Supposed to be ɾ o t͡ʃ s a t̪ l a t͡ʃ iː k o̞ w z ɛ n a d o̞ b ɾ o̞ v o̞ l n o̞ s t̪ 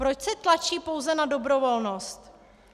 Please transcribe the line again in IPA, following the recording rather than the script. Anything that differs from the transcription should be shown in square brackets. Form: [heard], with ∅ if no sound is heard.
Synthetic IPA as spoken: ɾ o t͡ʃ s [ɛ] t̪ l a t͡ʃ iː [p] o̞ w z ɛ n a d o̞ b ɾ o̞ v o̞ l n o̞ s t̪